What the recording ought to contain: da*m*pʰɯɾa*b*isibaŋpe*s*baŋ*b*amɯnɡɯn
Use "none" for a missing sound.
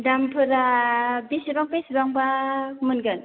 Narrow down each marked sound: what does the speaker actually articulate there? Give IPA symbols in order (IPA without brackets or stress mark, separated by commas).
m, b, s, b